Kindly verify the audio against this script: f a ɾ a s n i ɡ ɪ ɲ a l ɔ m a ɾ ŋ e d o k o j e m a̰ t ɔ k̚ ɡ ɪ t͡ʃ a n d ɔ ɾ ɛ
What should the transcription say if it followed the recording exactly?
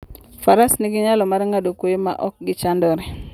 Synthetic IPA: f a ɾ a s n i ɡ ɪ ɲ a l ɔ m a ɾ ŋ a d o k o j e m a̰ ʔ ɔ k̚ ɡ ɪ t͡ʃ a n d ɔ ɾ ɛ